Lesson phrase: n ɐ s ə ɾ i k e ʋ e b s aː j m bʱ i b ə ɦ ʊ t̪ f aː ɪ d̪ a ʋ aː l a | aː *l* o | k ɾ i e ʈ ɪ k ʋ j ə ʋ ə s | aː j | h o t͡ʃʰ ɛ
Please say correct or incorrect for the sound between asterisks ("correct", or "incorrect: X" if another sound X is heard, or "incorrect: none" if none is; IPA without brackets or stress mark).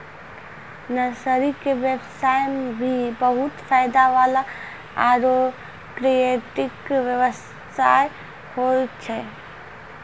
incorrect: ɾ